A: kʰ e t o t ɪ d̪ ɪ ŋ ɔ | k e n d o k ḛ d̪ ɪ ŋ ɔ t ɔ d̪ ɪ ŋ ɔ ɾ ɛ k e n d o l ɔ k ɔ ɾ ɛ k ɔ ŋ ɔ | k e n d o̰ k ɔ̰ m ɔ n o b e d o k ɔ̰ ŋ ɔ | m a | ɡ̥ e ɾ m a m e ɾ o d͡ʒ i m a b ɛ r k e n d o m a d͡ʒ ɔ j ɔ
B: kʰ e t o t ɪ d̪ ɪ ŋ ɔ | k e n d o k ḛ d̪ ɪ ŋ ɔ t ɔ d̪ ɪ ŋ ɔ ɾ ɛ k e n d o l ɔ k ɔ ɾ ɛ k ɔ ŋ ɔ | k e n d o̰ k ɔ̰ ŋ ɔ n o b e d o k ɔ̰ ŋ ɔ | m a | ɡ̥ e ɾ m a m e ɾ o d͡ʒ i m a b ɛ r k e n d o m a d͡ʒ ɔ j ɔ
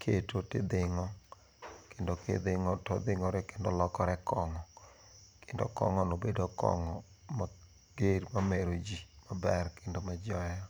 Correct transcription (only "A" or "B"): B